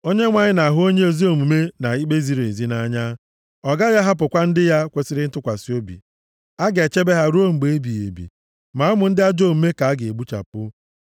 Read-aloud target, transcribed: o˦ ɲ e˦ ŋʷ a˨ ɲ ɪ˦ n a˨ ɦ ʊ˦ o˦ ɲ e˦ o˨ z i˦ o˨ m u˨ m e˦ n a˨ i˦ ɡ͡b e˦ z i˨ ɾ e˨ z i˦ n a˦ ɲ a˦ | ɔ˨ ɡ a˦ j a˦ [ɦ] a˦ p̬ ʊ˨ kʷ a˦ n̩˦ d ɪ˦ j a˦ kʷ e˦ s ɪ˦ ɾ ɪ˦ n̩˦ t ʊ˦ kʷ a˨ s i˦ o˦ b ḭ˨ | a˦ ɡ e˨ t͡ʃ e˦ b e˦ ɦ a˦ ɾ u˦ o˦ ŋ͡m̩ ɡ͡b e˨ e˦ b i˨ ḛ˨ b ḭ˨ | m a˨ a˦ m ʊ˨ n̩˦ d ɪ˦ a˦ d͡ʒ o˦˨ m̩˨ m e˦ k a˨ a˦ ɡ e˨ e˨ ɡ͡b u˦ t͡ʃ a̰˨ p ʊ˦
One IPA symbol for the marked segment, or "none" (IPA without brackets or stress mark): ɦ